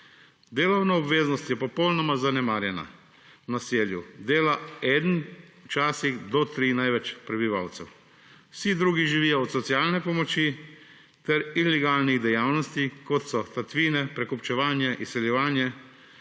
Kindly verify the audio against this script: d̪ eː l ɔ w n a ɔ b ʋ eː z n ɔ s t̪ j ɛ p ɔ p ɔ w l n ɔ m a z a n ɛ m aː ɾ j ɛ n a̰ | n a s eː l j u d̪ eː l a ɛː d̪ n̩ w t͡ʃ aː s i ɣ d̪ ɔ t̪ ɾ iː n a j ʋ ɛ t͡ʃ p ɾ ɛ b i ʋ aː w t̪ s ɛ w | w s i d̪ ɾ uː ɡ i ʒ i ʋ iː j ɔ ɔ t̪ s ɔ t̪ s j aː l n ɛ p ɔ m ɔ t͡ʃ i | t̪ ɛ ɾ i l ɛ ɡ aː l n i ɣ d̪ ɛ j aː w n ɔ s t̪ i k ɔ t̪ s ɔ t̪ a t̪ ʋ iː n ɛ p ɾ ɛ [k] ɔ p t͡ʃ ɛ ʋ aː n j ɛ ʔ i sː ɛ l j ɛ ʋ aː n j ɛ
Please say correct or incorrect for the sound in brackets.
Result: correct